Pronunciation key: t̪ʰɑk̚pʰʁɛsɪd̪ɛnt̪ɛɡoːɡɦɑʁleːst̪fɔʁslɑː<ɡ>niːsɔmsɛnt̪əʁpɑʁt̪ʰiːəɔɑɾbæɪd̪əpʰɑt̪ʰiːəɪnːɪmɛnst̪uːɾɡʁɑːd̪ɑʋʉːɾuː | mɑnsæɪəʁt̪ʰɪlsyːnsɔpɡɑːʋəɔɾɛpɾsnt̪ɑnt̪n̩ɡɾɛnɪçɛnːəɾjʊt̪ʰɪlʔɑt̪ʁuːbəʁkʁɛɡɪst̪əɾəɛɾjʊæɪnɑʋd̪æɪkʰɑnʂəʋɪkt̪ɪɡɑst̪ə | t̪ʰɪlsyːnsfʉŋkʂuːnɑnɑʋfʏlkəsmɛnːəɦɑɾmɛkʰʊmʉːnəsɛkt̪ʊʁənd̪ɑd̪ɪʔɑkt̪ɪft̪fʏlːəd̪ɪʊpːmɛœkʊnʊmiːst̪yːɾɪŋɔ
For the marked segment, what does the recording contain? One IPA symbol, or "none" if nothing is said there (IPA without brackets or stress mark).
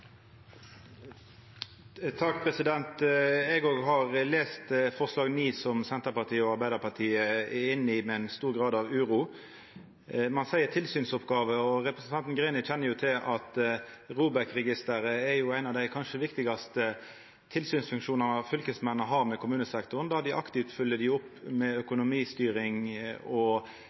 ɡ